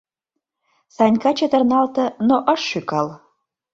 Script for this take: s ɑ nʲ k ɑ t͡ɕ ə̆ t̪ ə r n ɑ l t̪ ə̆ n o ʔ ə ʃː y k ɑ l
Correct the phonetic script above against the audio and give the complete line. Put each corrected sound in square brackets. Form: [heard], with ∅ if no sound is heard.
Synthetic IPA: s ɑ nʲ k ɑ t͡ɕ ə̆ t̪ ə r n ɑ l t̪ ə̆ n o ʔ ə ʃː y k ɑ l

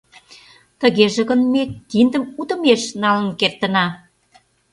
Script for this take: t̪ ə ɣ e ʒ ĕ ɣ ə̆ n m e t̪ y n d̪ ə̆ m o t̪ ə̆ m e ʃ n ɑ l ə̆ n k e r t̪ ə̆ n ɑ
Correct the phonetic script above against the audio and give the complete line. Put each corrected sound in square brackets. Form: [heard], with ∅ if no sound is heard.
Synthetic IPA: t̪ ə ɣ e ʒ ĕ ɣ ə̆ n m e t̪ [i] n d̪ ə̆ m [u] t̪ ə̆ m e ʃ n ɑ l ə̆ n k e r t̪ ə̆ n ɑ

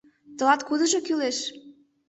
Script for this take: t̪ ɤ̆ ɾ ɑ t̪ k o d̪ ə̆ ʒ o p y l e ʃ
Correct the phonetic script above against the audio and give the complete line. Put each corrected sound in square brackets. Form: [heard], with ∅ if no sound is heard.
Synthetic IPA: t̪ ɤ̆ [l] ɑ t̪ k [u] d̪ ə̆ ʒ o [k] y l e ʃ

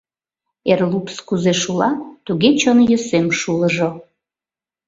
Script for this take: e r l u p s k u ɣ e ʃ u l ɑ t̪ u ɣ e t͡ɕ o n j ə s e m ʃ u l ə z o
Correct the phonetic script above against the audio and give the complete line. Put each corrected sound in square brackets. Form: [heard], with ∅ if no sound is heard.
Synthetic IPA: e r l u p s k u [z] e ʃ u l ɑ t̪ u ɣ e t͡ɕ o n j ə s e m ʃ u l ə [ʒ] o

